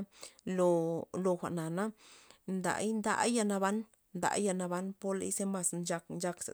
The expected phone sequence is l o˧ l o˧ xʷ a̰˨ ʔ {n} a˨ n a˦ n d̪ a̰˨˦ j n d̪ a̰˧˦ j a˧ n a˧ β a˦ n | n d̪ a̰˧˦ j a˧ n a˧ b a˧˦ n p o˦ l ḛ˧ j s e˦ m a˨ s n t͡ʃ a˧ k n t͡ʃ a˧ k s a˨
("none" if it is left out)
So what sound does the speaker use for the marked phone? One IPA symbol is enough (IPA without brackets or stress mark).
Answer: n